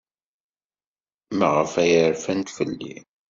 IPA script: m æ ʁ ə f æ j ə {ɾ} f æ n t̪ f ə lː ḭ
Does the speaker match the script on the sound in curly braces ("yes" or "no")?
yes